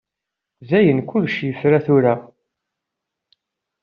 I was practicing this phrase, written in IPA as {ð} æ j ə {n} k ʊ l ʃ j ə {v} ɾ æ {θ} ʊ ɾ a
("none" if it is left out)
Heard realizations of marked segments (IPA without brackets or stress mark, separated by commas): z, n, f, θ